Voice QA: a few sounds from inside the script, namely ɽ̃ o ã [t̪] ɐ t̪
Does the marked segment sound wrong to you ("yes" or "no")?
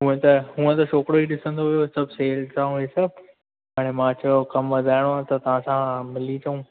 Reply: no